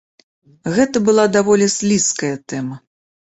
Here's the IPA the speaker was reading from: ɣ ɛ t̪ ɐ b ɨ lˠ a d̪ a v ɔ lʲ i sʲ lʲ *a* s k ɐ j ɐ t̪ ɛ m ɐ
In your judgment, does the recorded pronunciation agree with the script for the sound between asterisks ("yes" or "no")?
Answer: no